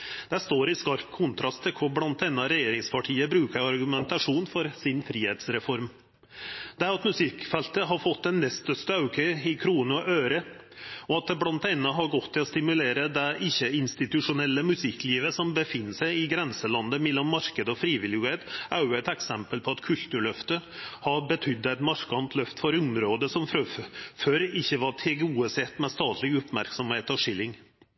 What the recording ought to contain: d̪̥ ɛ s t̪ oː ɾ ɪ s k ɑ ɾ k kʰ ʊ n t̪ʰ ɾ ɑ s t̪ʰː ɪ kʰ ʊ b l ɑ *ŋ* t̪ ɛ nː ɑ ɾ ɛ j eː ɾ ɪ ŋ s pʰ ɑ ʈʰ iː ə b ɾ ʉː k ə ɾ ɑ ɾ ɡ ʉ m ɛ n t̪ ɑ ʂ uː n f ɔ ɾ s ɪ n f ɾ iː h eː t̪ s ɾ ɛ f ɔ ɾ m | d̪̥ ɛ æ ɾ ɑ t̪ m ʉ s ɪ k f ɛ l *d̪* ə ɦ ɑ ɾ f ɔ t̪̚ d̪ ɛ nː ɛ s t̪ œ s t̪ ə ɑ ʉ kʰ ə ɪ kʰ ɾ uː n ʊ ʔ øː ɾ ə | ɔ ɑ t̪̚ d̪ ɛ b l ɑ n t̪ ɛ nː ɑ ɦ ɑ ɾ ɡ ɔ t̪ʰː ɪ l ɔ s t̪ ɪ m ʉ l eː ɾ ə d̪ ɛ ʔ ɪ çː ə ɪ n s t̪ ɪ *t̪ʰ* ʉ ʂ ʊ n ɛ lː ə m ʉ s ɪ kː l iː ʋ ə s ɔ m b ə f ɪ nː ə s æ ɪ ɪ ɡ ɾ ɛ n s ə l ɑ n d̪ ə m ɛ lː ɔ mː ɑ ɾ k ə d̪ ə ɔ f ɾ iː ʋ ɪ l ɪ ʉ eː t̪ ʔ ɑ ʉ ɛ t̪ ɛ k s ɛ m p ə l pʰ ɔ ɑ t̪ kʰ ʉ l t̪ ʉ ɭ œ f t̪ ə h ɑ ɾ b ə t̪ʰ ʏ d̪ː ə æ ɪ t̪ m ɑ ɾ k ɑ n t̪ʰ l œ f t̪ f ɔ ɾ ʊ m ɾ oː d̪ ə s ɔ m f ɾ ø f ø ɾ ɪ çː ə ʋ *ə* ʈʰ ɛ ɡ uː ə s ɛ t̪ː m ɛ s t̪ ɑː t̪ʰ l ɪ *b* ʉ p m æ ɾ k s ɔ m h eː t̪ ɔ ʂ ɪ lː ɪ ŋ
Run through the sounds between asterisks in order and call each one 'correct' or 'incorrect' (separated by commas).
incorrect, incorrect, incorrect, incorrect, incorrect